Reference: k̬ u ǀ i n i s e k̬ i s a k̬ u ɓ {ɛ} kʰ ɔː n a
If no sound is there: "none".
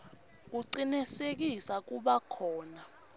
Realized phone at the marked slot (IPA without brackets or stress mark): a